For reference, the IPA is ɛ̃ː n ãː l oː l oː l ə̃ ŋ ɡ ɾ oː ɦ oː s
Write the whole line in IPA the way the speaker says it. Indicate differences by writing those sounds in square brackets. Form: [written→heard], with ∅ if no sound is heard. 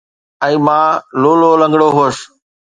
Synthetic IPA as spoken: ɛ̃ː [n→m] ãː l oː l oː l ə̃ ŋ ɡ [ɾ→ɽ] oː ɦ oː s